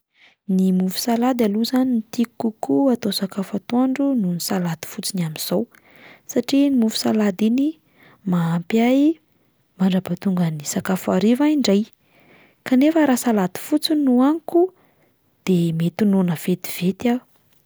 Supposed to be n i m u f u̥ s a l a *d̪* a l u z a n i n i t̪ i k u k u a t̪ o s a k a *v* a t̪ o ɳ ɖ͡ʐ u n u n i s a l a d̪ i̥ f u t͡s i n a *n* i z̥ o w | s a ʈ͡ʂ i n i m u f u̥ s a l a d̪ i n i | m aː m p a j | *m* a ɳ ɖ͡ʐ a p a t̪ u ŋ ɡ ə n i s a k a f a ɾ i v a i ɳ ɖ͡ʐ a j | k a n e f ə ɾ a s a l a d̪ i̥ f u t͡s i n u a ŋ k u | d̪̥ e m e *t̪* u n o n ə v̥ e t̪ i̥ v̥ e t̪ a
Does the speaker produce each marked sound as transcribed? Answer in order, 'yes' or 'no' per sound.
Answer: yes, no, no, yes, yes

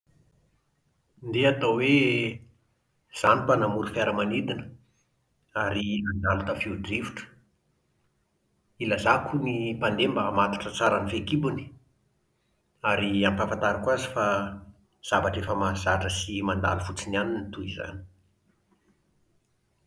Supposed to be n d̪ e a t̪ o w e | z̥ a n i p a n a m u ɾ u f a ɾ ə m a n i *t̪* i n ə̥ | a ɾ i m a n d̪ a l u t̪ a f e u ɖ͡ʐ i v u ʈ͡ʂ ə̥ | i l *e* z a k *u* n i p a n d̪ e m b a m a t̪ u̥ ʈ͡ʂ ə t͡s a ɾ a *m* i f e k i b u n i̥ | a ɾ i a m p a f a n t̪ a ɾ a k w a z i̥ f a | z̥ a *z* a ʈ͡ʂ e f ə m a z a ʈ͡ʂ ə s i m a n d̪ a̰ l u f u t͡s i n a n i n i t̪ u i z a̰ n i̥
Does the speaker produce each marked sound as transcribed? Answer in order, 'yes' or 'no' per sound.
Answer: no, no, yes, no, no

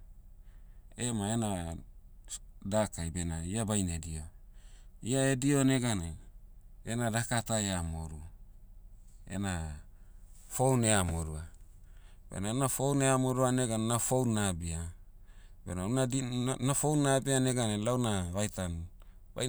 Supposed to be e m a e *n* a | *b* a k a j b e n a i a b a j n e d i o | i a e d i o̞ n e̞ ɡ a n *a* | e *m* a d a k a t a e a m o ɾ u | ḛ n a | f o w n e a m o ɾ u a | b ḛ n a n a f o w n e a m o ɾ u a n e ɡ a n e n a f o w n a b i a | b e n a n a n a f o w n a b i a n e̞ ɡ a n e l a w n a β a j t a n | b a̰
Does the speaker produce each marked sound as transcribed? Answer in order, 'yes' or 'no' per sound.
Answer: yes, no, no, no

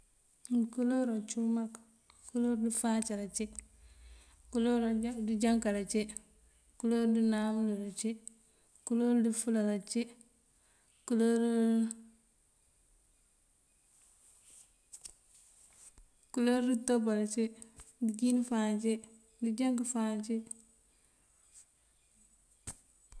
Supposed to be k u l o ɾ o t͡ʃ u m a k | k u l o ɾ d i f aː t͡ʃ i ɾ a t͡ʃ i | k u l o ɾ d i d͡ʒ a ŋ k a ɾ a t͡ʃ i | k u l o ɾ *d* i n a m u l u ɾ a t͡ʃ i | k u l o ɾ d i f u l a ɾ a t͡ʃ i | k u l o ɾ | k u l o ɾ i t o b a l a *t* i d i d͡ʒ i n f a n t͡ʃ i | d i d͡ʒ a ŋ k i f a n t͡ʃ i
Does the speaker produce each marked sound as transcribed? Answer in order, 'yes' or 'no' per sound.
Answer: yes, no

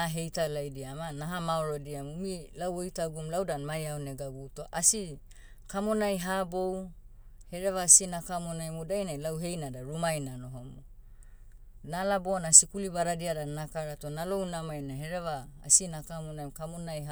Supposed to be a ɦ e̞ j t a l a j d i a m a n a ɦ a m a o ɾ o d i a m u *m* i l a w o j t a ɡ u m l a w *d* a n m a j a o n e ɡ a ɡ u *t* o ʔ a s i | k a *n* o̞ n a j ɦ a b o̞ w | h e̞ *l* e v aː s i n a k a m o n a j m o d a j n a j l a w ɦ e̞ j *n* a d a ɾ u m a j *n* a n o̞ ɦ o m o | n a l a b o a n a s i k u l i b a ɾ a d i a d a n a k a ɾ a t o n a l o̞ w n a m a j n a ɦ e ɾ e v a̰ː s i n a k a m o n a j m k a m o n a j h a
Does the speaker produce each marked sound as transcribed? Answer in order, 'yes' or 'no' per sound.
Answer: yes, yes, yes, no, no, yes, yes

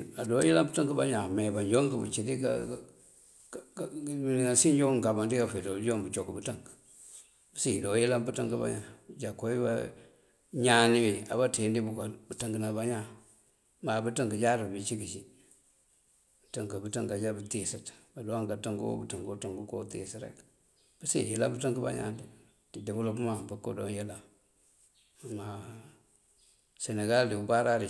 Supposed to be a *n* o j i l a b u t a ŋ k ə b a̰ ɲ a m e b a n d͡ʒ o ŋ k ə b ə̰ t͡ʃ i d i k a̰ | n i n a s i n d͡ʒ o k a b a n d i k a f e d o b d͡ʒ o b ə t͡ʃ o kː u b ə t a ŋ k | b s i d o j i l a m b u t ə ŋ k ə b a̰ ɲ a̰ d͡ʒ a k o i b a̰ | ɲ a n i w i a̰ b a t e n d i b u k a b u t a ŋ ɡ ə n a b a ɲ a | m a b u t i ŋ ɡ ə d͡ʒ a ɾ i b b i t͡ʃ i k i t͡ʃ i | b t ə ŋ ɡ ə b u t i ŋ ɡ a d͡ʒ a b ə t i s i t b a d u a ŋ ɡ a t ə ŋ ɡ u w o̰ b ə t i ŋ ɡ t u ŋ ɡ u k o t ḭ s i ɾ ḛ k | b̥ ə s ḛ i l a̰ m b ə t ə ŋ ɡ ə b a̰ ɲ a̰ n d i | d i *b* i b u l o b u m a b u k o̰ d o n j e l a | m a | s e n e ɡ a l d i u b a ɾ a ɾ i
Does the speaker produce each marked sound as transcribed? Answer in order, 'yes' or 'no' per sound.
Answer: no, no

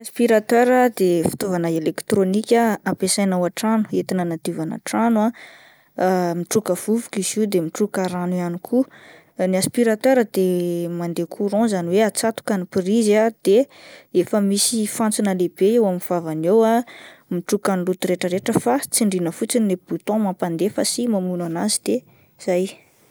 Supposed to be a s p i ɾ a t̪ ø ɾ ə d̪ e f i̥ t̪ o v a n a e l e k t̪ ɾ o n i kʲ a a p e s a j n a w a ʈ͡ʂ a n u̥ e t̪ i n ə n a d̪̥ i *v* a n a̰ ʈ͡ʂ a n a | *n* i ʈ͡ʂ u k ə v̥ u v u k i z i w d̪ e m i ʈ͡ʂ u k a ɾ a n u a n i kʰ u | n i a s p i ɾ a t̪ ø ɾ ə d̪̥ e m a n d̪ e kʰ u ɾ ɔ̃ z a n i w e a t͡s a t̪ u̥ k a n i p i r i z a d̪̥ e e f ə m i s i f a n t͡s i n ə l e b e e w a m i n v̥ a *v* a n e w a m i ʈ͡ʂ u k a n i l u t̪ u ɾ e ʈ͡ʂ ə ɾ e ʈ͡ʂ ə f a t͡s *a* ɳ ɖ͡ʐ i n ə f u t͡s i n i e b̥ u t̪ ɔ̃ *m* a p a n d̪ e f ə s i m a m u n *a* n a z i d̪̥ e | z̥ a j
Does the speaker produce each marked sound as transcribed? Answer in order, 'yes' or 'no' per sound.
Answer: yes, no, yes, no, yes, yes

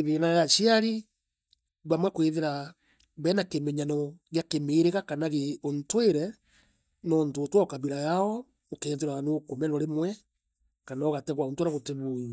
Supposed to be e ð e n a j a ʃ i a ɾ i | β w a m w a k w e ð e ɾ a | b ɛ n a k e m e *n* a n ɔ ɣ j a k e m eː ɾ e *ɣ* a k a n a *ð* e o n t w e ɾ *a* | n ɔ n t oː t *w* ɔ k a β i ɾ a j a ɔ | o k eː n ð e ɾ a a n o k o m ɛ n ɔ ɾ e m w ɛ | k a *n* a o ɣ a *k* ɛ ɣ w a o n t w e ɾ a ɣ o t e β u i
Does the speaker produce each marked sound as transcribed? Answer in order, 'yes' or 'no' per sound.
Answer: no, yes, no, no, yes, yes, no

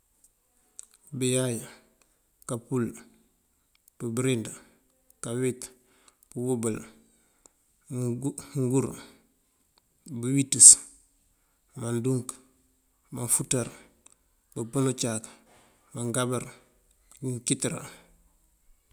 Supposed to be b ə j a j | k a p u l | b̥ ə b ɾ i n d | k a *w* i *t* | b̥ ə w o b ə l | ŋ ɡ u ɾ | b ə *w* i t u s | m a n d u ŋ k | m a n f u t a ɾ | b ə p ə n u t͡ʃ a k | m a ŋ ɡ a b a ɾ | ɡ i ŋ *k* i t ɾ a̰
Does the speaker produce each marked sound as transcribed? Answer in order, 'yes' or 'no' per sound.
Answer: yes, yes, yes, yes

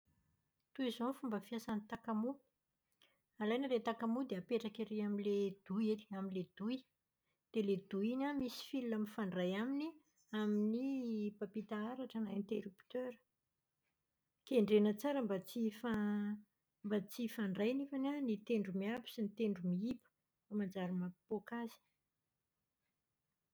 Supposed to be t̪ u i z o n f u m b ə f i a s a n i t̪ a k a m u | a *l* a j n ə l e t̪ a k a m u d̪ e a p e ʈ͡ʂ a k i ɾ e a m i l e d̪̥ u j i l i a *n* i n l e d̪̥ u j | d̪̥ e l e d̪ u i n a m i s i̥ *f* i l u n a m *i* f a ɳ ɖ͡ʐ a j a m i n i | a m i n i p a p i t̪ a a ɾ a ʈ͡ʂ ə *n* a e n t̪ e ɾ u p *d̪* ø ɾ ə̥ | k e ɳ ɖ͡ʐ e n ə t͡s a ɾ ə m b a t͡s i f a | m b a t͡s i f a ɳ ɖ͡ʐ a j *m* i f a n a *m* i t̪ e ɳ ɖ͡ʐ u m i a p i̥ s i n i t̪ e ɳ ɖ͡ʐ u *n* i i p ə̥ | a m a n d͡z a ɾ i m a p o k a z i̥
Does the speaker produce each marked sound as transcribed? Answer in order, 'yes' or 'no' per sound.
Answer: yes, no, yes, yes, yes, no, no, no, no

